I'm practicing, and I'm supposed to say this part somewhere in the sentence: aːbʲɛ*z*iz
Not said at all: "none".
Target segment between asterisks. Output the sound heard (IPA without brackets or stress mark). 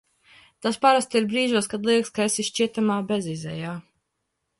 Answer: z